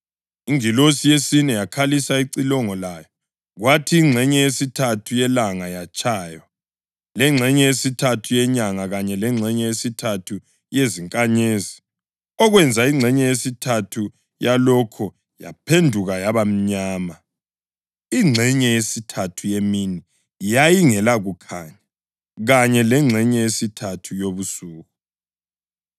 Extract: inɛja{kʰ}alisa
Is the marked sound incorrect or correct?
correct